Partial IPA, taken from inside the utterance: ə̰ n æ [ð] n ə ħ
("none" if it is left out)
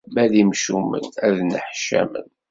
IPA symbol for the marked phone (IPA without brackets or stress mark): ð